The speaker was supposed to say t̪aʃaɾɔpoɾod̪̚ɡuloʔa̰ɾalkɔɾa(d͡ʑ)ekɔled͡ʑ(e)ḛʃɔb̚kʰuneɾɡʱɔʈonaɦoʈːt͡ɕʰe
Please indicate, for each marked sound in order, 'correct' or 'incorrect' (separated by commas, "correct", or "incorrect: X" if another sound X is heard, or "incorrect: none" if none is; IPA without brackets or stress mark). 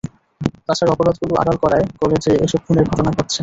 incorrect: none, correct